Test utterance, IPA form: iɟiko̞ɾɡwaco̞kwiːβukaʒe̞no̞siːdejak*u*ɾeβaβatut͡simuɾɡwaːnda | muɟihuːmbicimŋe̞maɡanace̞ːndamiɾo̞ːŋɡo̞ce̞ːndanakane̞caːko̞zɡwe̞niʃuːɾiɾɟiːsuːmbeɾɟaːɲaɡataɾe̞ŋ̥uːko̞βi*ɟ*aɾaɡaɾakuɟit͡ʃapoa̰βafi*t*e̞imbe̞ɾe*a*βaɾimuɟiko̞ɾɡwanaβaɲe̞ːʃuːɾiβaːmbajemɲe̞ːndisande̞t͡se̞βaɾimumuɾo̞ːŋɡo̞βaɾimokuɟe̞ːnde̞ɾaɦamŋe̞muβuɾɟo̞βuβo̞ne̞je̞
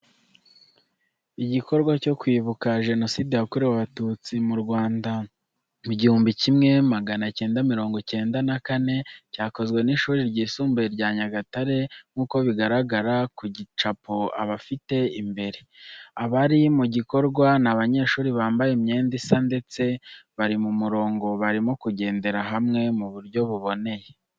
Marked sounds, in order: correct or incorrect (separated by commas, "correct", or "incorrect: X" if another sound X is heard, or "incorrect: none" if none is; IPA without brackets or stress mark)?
correct, incorrect: ɡ, correct, correct